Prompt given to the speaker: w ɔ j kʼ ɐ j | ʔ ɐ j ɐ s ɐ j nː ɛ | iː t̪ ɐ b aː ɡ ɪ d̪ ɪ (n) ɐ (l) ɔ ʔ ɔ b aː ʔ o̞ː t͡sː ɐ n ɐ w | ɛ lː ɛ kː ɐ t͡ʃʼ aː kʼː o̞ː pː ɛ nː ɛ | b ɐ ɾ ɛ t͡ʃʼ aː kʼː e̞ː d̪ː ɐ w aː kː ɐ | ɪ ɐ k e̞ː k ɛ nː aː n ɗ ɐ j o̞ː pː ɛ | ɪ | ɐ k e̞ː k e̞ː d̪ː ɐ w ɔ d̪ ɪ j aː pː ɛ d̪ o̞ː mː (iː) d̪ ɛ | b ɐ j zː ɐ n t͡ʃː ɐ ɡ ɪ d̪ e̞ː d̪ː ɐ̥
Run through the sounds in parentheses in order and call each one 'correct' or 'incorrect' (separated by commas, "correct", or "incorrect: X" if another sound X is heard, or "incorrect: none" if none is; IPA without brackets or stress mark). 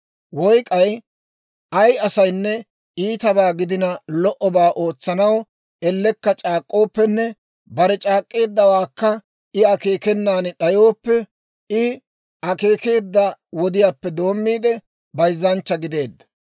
correct, correct, correct